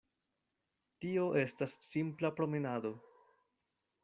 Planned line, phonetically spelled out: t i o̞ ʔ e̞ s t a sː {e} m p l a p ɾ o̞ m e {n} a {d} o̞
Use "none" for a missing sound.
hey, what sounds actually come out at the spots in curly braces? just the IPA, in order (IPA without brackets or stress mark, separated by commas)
i, n, d